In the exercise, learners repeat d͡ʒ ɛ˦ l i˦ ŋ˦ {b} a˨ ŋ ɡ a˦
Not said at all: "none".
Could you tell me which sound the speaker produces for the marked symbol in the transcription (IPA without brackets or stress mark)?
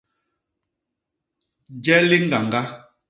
ɡ